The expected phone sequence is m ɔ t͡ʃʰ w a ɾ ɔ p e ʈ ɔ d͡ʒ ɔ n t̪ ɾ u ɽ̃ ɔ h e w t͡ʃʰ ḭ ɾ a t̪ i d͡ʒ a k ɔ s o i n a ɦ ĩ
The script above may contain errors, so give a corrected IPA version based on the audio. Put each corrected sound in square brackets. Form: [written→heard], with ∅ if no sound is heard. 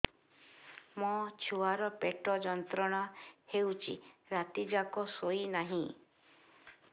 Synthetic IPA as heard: m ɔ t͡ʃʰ [w→u] a ɾ ɔ p e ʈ ɔ d͡ʒ ɔ n t̪ ɾ [u→ɔ] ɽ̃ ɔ h e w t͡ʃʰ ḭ ɾ a t̪ i d͡ʒ a k ɔ s o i n a ɦ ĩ